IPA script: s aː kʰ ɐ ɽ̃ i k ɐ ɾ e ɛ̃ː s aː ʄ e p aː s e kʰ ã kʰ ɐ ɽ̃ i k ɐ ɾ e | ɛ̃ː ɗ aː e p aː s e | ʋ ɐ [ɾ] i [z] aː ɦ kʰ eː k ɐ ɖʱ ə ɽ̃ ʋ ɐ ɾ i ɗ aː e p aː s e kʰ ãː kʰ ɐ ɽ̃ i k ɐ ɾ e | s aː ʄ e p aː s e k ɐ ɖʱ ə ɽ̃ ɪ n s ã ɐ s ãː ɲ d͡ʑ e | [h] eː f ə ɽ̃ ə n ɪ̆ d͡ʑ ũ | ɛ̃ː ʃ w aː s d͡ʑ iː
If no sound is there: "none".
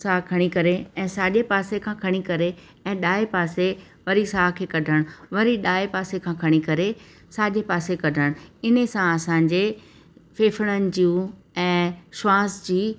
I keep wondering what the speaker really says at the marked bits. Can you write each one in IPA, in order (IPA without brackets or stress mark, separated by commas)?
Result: ɾ, s, f